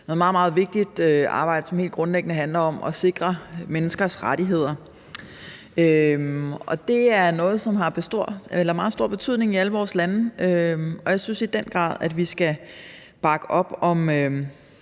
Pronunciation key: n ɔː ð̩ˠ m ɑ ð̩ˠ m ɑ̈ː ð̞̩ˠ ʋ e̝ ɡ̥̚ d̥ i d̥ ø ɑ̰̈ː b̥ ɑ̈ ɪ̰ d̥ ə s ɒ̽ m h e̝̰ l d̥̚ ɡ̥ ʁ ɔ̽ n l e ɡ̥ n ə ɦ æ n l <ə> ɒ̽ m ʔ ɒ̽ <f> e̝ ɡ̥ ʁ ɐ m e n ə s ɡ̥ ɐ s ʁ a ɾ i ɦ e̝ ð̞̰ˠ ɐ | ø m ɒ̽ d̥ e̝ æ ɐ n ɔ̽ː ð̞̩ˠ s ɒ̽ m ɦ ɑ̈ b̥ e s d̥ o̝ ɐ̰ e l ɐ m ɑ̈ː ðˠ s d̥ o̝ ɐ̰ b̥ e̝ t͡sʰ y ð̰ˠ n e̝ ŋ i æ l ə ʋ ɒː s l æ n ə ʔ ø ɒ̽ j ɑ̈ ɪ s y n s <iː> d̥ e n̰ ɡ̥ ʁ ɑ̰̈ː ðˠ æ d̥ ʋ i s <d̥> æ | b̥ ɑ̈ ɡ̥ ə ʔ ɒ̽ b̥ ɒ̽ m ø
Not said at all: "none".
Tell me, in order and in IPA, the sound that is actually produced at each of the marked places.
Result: ɐ, s, i, ɡ̥

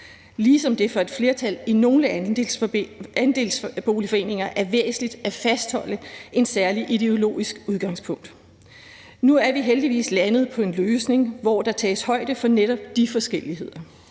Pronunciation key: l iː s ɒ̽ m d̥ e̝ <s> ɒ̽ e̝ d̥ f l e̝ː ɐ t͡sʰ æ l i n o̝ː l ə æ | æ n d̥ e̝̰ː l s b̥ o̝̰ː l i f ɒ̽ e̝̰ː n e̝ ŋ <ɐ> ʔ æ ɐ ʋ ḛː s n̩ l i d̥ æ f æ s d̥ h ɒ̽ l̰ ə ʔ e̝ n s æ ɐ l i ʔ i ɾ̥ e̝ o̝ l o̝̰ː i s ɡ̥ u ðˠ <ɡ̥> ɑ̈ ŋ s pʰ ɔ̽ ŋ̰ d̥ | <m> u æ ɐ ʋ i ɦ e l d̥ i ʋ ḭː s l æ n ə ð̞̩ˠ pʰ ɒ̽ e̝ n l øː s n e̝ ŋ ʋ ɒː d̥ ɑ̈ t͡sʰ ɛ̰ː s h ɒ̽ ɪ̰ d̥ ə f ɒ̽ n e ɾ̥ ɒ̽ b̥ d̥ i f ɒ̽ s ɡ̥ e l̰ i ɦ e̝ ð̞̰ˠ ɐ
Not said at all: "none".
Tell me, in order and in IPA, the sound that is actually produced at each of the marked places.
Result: f, ɐ, ɡ̥, n

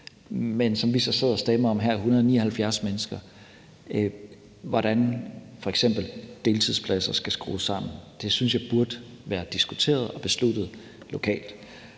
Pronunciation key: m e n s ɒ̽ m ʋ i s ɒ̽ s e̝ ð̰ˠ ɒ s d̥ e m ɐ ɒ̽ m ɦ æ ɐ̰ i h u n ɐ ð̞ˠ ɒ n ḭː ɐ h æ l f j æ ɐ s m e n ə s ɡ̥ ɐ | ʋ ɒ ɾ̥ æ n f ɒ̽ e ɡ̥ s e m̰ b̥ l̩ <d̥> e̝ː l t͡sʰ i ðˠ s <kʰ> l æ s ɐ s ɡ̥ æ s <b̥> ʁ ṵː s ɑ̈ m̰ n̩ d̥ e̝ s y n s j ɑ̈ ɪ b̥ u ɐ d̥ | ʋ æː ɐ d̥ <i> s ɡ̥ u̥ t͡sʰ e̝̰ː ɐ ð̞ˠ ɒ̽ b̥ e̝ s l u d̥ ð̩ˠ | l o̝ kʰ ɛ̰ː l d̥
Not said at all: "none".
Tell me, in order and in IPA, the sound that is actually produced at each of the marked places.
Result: d̥, pʰ, ɡ̥, i

